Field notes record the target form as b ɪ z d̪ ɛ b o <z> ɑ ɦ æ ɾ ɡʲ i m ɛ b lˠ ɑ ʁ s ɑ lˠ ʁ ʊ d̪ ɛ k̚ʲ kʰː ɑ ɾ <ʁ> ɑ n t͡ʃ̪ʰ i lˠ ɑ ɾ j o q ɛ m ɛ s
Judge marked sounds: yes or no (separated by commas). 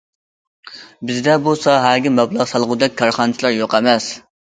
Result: no, no